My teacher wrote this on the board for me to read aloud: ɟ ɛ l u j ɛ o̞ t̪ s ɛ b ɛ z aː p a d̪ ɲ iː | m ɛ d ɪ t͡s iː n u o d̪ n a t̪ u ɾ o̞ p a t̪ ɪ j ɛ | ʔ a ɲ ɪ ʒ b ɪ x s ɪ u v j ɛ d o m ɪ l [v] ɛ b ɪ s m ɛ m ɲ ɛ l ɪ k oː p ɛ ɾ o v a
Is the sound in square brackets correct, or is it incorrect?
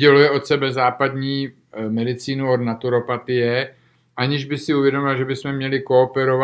incorrect